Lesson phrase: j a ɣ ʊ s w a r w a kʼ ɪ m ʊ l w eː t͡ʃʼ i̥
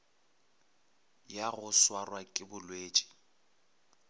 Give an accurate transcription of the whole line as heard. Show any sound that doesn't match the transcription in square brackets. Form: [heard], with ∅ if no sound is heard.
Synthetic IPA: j a ɣ ʊ s w a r w a kʼ ɪ [b] ʊ l w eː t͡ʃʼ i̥